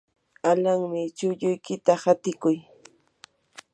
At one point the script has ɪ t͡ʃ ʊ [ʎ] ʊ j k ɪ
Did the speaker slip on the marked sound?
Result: no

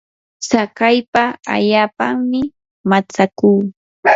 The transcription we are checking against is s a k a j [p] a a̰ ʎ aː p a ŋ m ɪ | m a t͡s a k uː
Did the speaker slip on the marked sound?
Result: no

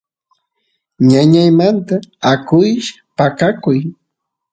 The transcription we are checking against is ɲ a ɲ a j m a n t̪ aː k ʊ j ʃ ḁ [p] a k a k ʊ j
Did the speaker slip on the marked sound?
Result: no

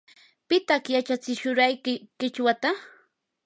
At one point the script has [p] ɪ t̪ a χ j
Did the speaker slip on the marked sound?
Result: no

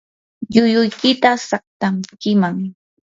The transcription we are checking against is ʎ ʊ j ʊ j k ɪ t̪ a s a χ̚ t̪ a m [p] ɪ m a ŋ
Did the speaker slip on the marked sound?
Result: yes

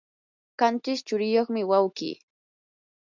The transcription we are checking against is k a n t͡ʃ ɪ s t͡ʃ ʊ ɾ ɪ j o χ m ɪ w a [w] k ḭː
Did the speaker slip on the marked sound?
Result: no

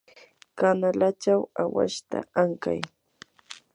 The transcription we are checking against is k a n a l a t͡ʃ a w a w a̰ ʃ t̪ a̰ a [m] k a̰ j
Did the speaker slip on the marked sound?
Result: yes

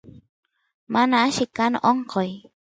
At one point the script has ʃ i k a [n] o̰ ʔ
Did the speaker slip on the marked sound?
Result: no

